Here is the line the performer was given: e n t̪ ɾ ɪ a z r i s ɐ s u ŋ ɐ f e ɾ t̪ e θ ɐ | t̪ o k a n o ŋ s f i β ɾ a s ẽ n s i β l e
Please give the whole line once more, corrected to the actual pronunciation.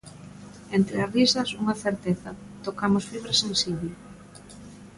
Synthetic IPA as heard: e n t̪ ɾ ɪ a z r i s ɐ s u ŋ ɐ θ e ɾ t̪ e θ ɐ | t̪ o k a m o s f i β ɾ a s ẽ n s i β l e